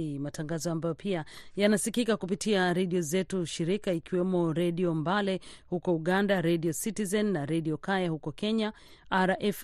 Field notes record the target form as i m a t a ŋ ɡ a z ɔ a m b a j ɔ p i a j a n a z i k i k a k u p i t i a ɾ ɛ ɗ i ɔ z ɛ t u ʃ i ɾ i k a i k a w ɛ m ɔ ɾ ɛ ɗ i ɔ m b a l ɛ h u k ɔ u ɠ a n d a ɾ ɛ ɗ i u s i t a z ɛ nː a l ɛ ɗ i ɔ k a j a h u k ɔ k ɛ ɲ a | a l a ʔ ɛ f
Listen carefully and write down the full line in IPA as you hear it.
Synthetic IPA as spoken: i m a t a ŋ ɡ a z ɔ a m b a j ɔ p i a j a n a s i k i k a k u p i t i a ɾ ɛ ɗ i ɔ z ɛ t u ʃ i ɾ i k a i k i w ɛ m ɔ ɾ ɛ ɗ i ɔ m b a l ɛ h u k ɔ u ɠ a n d a ɾ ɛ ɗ i ɔ s i t i z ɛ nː a ɾ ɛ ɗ i ɔ k a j a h u k ɔ k ɛ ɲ a | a ɾ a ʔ ɛ f